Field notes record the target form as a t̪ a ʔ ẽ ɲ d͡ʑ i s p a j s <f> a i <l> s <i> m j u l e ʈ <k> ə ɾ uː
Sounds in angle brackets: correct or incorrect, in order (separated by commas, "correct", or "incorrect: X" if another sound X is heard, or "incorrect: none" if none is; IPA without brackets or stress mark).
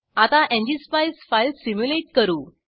correct, correct, correct, correct